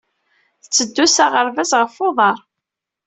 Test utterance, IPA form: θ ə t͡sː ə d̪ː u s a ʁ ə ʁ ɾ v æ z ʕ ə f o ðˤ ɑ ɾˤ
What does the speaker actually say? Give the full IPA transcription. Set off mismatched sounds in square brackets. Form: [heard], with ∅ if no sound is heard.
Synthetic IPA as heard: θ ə t͡sː ə d̪ː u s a ʁ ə [∅] ɾ v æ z [ʁ] ə f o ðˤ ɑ ɾˤ